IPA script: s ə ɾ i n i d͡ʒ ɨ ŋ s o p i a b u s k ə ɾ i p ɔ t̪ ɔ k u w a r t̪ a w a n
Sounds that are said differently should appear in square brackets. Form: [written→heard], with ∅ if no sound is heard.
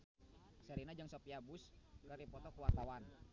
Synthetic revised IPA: s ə ɾ i n [i→a] d͡ʒ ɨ ŋ s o p i a b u s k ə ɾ i p ɔ t̪ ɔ k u w a r t̪ a w a n